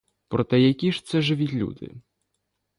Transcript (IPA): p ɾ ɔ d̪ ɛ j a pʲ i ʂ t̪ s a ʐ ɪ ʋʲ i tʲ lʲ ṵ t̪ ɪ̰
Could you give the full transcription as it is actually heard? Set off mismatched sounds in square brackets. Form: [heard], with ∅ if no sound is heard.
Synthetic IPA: p ɾ ɔ [t̪] ɛ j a [kʲ] i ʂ t̪ s [ɛ] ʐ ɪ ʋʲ i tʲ lʲ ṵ [d̪] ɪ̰